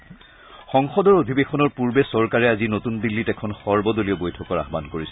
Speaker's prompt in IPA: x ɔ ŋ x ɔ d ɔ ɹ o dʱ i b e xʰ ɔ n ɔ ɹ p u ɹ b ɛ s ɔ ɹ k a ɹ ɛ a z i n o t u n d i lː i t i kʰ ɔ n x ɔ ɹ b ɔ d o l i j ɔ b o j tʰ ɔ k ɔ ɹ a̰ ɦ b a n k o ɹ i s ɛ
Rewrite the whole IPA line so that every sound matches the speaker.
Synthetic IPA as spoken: x ɔ ŋ x ɔ d ɔ ɹ o dʱ i b e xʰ ɔ n ɔ ɹ p u ɹ b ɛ s ɔ ɹ k a ɹ ɛ a z i n o t u n d i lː i t ɛ kʰ ɔ n x ɔ ɹ b ɔ d o l i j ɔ b o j tʰ ɔ k ɔ ɹ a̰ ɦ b a n k o ɹ i s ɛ